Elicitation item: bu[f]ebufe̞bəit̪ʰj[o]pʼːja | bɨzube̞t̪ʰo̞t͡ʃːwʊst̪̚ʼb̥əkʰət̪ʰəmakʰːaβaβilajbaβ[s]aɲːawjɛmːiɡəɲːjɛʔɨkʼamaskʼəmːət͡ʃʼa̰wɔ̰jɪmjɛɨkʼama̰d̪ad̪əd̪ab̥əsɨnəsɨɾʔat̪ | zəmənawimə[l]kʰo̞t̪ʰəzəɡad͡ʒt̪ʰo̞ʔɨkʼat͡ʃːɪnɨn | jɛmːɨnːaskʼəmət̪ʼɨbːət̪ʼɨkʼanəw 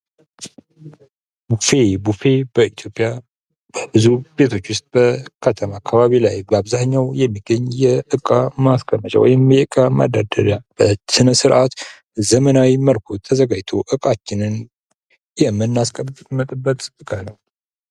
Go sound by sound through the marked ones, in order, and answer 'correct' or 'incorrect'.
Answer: correct, correct, incorrect, correct

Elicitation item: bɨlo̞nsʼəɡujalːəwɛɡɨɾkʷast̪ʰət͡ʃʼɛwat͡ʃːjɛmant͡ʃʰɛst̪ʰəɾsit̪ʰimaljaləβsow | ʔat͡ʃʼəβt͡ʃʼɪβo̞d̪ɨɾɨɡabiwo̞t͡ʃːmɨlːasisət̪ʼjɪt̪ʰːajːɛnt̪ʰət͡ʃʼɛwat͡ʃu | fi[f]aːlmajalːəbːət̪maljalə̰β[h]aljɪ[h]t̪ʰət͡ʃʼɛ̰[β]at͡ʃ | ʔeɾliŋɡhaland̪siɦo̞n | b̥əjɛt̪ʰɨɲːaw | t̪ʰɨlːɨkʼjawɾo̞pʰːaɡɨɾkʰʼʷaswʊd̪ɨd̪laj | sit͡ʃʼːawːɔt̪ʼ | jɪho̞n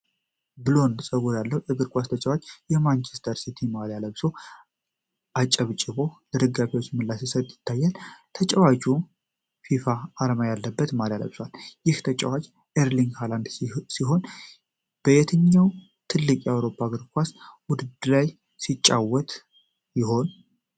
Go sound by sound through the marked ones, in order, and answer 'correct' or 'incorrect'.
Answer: correct, incorrect, correct, incorrect

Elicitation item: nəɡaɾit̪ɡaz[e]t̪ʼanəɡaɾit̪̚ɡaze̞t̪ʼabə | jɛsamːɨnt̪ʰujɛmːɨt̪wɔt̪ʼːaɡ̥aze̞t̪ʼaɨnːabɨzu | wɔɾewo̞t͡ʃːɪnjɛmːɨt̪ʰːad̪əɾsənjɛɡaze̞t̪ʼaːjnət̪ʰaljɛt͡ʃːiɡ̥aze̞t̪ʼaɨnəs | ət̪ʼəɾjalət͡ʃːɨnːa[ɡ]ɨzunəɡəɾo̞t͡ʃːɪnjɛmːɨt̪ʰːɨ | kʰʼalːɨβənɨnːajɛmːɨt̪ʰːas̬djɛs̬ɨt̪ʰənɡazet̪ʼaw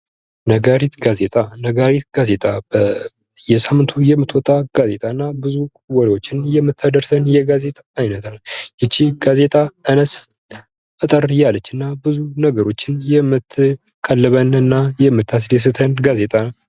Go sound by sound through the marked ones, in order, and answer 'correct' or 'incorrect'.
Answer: correct, incorrect

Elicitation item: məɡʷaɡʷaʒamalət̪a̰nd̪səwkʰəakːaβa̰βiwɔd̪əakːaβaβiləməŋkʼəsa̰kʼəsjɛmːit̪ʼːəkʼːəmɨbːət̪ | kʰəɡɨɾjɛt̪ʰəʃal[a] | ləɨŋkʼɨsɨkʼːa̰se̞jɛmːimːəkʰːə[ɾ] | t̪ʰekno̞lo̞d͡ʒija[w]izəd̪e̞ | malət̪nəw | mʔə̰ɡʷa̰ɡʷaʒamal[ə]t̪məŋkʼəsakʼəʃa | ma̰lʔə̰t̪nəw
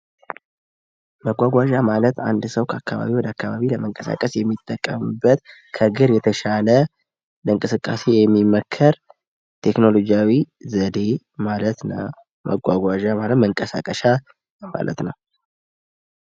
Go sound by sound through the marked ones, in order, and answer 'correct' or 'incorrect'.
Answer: incorrect, correct, correct, correct

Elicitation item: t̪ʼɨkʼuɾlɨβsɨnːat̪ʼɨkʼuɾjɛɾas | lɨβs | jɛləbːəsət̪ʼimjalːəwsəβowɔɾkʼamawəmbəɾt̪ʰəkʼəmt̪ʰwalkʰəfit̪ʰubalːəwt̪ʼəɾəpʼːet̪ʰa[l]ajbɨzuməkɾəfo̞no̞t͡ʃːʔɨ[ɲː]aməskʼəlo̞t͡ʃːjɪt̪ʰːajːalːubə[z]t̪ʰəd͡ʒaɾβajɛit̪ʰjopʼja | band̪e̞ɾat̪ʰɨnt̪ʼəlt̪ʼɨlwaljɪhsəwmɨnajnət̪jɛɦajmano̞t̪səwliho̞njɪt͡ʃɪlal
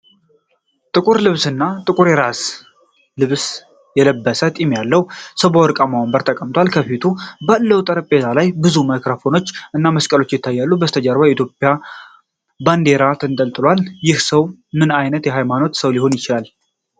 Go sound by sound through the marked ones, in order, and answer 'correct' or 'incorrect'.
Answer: correct, incorrect, incorrect

